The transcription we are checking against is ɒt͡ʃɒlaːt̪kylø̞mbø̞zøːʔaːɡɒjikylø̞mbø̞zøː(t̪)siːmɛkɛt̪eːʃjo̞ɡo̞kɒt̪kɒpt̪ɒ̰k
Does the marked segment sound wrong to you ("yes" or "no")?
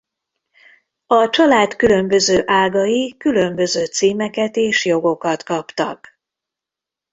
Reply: no